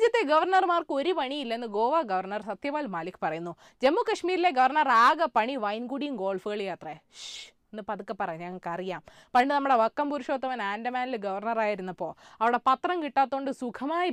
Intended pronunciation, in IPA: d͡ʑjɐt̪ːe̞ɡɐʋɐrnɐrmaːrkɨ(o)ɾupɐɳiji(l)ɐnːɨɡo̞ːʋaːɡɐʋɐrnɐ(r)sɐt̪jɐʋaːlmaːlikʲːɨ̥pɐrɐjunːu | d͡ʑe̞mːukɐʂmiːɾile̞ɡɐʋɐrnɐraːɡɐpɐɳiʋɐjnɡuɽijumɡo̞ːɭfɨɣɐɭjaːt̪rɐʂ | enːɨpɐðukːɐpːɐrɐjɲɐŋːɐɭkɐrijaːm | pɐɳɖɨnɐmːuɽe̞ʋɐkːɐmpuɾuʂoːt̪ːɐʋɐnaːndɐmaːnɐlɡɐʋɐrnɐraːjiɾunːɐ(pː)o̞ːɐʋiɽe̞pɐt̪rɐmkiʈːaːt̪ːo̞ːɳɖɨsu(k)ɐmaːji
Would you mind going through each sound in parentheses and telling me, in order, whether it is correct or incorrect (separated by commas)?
correct, incorrect, correct, correct, incorrect